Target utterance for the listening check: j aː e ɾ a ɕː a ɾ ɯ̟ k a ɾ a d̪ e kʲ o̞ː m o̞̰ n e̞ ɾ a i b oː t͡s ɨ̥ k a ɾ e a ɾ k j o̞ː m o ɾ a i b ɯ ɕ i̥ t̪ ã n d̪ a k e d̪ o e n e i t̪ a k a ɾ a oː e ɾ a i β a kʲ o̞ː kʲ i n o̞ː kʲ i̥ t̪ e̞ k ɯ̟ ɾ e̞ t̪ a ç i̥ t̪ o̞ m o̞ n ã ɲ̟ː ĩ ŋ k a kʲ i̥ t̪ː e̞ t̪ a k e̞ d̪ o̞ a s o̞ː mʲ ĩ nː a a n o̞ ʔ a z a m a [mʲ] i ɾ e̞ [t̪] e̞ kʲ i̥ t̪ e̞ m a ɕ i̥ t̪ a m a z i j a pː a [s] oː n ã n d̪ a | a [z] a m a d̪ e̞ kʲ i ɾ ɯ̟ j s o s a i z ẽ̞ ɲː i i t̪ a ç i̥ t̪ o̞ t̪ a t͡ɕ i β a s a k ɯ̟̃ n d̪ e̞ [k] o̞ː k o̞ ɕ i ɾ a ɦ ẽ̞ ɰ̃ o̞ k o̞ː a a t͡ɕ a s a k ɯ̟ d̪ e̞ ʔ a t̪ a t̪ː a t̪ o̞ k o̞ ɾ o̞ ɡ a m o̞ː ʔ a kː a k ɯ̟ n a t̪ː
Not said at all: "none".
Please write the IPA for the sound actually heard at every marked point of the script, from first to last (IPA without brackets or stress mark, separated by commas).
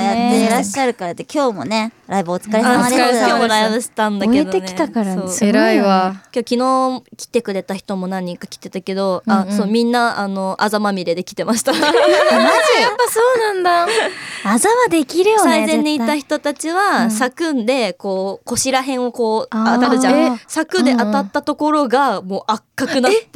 mʲ, d̪, s, z, k